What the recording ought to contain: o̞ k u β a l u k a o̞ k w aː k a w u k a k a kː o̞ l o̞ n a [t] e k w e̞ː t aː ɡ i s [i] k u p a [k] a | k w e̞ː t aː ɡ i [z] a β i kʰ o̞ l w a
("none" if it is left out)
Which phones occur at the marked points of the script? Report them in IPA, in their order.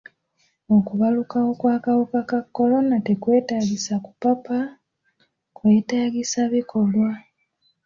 t, a, p, s

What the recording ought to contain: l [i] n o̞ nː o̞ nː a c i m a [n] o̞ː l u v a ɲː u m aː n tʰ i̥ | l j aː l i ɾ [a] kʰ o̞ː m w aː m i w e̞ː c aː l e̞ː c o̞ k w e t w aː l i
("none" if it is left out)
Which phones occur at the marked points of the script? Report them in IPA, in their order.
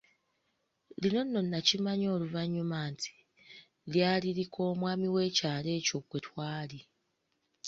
i, ɲ, i

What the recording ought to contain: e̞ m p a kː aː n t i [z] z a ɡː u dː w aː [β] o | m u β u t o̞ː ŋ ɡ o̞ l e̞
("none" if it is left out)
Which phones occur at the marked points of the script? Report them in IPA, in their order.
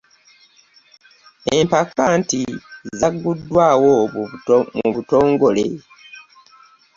z, w

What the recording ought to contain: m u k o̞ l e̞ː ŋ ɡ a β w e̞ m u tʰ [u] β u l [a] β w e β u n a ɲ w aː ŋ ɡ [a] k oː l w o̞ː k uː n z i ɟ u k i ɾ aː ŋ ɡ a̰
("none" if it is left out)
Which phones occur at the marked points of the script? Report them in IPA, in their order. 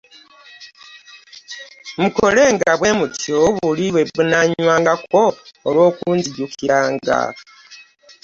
o, i, a

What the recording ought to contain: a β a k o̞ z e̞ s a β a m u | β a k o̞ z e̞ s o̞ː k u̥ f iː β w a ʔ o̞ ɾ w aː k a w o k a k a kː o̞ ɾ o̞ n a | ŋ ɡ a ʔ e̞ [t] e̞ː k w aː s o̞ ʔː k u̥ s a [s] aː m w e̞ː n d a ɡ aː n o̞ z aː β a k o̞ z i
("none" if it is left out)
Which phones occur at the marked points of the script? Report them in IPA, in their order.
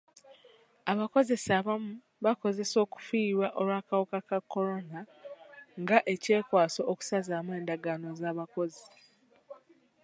c, z

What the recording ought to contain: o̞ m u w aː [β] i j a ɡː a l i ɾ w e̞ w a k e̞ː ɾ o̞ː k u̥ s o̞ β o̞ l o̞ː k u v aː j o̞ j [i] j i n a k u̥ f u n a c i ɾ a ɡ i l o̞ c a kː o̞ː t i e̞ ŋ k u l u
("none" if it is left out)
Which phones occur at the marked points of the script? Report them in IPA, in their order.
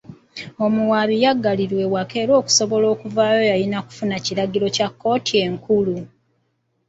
β, a

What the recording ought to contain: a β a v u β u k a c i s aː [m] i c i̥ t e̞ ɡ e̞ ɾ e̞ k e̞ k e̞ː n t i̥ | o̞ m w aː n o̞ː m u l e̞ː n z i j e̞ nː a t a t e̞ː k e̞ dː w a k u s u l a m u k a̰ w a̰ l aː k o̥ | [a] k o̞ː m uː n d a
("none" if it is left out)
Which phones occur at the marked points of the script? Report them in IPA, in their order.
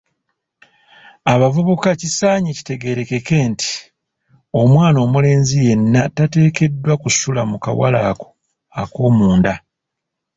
ɲ, a

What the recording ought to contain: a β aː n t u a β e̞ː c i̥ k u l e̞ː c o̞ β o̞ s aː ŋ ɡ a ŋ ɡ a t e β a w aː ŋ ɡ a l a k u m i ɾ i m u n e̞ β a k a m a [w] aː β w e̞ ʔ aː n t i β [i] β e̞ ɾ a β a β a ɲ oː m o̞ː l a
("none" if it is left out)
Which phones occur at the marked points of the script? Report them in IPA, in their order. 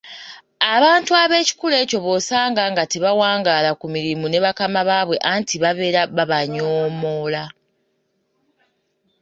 β, a

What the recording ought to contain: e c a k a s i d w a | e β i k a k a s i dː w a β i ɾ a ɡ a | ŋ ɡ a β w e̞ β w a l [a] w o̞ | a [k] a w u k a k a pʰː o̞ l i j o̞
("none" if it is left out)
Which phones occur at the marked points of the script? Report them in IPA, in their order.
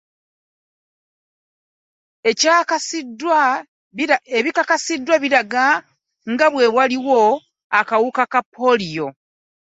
i, k

